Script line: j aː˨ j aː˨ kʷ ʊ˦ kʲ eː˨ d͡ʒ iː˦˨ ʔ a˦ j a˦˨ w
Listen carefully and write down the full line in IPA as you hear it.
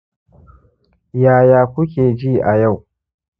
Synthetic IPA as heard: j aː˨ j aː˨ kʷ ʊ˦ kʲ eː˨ d͡ʒ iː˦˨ ʔ a˨ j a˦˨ w